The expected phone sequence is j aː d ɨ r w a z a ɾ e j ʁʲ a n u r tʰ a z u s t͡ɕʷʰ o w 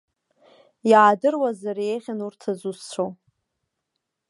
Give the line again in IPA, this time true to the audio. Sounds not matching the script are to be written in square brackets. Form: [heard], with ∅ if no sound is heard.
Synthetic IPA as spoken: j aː d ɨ r w a z a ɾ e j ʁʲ a n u r tʰ a z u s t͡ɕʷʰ o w